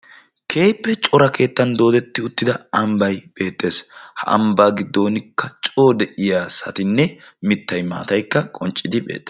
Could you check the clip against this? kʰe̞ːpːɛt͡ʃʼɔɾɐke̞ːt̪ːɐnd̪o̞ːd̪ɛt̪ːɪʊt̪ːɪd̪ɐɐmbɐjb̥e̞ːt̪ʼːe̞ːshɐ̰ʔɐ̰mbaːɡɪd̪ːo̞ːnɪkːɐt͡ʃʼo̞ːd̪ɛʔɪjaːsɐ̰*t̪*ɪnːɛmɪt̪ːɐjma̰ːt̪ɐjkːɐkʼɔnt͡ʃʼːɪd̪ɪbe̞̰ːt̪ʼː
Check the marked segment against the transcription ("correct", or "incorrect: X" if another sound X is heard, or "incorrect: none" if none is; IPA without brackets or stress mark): correct